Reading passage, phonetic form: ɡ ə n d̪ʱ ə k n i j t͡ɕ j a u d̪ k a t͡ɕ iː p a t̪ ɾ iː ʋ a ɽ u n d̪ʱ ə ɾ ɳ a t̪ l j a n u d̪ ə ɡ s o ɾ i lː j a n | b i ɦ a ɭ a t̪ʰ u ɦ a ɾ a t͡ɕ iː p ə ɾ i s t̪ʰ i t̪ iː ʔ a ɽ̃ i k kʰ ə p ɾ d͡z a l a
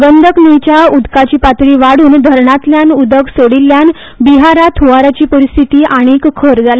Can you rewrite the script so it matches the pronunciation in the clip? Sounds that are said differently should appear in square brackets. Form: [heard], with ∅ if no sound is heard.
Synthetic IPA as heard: ɡ ə n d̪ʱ ə k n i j t͡ɕ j a u d̪ k a t͡ɕ iː p a t̪ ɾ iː ʋ a ɽ [uː] n d̪ʱ ə ɾ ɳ a t̪ l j a n u d̪ ə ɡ s o [ɽ] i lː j a n | b i ɦ a [ɾ] a t̪ʰ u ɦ a ɾ a t͡ɕ iː p ə ɾ i s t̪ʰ i t̪ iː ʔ a ɽ̃ i k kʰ ə [∅] ɾ d͡z a l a